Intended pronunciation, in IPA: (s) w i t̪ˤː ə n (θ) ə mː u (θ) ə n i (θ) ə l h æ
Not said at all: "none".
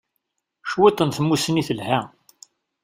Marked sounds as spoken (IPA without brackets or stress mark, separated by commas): ʃ, θ, s, θ